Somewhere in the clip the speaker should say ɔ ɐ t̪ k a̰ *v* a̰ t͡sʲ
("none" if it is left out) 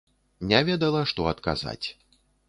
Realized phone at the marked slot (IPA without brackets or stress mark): z